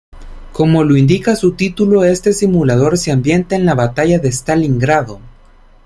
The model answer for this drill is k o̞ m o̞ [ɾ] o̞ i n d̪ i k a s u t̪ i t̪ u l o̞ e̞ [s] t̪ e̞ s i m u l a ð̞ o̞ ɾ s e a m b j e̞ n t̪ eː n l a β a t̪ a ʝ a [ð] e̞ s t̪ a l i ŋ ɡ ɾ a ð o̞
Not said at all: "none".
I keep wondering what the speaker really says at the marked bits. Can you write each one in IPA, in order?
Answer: l, s, ð

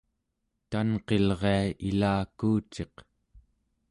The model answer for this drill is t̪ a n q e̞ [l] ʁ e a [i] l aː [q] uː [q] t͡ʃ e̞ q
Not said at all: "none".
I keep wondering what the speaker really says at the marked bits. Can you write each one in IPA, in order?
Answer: l, i, k, none

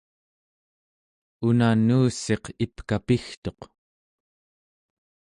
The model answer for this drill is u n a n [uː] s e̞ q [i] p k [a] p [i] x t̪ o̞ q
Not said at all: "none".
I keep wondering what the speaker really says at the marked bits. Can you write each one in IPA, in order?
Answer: uː, i, a, i

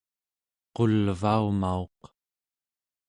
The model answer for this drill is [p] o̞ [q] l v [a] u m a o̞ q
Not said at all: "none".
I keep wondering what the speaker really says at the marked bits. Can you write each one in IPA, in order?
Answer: q, none, a

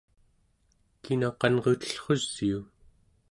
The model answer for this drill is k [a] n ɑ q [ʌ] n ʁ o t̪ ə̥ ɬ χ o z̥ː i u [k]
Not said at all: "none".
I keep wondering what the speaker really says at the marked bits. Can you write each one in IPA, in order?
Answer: i, ɑ, none

